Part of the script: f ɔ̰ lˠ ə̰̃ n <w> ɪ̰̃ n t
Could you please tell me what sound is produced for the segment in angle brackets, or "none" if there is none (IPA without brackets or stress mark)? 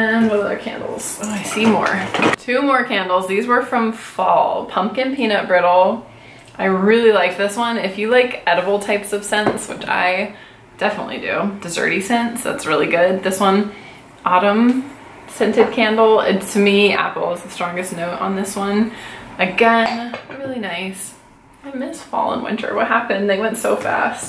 w